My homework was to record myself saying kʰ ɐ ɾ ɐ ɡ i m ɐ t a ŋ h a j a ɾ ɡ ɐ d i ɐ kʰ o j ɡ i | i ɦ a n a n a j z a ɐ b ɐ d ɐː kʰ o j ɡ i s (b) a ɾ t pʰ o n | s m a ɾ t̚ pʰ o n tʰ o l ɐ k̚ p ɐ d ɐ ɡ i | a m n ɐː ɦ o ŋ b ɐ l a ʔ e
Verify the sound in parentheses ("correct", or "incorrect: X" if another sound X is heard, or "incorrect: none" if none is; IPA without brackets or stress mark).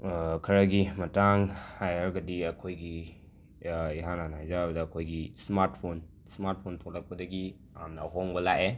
incorrect: m